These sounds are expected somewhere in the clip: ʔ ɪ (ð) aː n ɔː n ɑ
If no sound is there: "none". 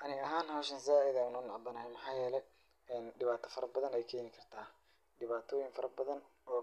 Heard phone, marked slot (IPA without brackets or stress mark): ð